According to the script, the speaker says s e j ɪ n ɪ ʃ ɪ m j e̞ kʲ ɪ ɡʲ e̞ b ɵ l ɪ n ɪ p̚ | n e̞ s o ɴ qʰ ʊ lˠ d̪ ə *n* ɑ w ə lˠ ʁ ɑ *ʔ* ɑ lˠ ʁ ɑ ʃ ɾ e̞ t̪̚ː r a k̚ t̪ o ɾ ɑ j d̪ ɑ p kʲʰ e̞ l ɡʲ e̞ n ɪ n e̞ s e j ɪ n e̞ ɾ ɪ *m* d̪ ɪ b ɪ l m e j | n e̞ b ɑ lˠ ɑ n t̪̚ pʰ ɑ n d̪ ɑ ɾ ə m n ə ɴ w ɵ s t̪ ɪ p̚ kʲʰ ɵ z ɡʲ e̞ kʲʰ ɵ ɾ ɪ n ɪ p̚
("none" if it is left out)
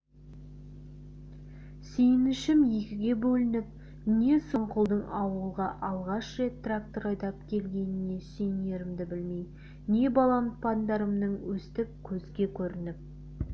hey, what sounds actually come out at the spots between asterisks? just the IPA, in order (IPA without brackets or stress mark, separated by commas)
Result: ɴ, ʔ, m